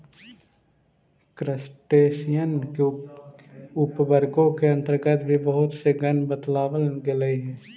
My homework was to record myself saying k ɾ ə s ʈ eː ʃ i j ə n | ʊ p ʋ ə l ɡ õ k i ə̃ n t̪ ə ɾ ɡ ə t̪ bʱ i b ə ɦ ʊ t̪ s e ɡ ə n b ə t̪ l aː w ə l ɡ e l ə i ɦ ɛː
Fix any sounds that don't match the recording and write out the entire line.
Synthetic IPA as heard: k ɾ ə s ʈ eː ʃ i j ə n | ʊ p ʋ ə ɾ ɡ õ k e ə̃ n t̪ ə ɾ ɡ ə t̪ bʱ i b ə ɦ ʊ t̪ s e ɡ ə n b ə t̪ l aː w ə l ɡ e l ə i ɦ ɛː